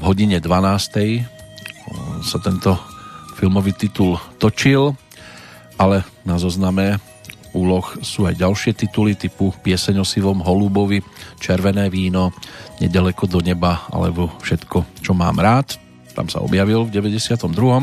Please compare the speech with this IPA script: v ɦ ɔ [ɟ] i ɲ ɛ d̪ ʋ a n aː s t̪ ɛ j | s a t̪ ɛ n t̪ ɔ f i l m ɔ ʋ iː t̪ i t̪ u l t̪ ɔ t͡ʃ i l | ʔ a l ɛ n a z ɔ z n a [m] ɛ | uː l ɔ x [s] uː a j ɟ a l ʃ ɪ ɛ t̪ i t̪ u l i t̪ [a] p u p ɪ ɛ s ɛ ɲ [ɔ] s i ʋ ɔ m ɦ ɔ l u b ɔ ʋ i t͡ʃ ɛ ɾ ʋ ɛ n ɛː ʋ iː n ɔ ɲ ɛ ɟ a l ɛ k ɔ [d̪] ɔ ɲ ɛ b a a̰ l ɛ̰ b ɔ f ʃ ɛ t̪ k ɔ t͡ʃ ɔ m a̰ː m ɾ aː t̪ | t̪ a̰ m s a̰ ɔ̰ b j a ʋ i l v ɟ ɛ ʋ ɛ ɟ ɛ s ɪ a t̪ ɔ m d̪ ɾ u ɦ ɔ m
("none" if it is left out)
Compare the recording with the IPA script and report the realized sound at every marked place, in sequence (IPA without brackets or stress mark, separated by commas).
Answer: ɟ, m, s, i, ɔ, d̪